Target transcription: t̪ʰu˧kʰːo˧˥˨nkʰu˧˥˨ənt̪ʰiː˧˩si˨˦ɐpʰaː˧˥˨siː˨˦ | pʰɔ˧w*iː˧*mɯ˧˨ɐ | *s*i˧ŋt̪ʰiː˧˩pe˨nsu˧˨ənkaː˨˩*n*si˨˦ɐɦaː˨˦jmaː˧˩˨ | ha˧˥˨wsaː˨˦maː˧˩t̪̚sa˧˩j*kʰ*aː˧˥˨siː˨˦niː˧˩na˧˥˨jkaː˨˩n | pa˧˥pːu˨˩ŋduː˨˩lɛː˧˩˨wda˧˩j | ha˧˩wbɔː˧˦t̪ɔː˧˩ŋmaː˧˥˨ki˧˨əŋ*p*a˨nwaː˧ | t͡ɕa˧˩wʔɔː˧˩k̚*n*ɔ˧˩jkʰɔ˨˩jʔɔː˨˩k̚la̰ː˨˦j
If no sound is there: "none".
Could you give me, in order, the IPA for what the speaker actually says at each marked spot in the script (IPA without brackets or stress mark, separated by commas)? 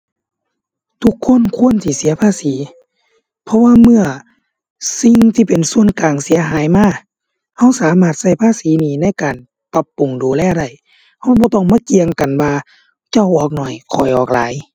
aː˧, s, ŋ, pʰ, k, n